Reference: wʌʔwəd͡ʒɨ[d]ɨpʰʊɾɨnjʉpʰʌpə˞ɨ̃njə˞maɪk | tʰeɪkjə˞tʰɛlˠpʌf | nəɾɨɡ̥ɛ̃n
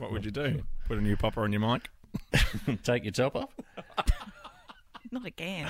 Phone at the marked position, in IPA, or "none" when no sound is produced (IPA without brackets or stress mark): d